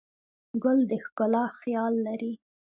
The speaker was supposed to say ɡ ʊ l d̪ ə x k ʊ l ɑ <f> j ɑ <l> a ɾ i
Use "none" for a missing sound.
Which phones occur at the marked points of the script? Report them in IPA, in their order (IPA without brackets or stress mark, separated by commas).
x, lː